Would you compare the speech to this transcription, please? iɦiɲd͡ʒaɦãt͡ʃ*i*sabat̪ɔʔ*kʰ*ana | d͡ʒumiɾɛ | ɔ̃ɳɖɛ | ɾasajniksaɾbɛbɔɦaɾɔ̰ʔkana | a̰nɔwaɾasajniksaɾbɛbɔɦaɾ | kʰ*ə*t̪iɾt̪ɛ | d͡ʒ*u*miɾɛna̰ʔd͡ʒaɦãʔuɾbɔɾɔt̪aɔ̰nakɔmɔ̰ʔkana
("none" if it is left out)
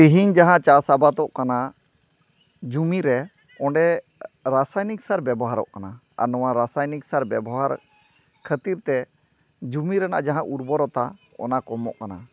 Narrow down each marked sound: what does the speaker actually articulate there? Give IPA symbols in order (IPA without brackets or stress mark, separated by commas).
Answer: a, k, ə, u